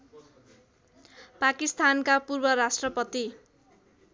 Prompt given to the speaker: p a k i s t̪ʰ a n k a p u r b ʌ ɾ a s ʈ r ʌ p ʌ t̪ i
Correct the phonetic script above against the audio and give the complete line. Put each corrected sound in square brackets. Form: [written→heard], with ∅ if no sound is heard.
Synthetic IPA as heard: p a k i s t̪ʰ a n k a p u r b ʌ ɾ a s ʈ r ʌ p ʌ t̪ i